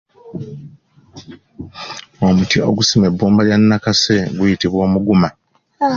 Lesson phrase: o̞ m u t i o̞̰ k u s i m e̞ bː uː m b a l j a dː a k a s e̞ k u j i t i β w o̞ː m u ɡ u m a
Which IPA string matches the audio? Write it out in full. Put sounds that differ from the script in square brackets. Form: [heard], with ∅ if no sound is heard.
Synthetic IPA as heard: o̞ m u t i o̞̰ [ɡ] u s i m e̞ bː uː m b a l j a [nː] a k a s e̞ [ɡ] u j i t i β w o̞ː m u ɡ u m a